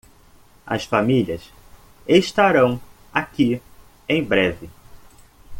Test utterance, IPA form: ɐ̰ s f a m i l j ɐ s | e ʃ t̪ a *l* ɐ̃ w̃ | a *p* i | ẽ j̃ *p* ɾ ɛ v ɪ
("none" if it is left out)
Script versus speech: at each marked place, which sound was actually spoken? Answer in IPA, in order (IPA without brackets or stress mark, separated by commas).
ɾ, k, b